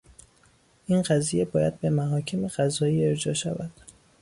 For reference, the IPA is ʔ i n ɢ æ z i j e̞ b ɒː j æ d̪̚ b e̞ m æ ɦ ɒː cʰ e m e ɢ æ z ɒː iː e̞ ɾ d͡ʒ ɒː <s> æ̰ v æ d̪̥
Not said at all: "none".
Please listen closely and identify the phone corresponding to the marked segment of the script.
ʃ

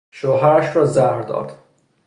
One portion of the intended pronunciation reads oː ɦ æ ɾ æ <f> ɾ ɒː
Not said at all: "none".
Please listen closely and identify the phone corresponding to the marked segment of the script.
ʃ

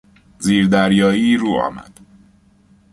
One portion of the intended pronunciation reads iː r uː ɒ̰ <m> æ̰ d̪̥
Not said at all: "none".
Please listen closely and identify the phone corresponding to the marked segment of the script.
m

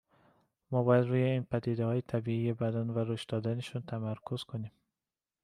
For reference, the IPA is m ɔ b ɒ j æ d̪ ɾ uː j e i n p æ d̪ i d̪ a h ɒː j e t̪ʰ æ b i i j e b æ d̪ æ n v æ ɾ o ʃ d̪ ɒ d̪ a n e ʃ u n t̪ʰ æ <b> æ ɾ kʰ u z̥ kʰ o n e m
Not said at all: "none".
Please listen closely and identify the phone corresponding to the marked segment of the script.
m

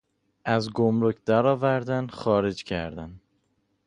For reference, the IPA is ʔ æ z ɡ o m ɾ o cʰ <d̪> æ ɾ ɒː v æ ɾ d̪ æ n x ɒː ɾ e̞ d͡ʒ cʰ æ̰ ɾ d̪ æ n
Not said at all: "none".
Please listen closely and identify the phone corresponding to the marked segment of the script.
d̪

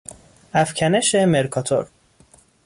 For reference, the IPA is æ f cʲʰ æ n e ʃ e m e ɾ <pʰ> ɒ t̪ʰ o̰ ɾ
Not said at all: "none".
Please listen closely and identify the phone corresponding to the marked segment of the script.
kʰ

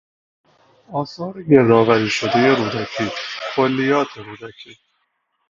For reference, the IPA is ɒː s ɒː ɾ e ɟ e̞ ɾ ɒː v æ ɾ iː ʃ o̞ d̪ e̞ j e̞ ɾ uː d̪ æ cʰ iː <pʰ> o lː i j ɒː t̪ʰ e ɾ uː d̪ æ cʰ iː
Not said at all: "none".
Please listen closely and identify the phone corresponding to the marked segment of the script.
kʰ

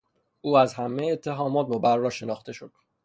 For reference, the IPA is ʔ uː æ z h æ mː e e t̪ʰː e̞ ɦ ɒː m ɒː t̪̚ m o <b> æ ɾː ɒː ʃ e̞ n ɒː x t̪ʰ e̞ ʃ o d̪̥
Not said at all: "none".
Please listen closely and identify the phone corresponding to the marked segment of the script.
b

